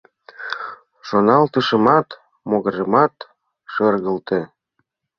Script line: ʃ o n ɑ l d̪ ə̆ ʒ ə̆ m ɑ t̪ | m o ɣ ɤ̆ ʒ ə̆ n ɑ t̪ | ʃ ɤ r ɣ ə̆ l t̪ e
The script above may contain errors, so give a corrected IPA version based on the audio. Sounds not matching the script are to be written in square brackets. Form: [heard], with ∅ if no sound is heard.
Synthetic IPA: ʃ o n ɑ l [t̪] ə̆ [ʃ] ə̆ m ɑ t̪ | m o ɣ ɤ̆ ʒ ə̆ [m] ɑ t̪ | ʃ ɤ r ɣ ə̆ l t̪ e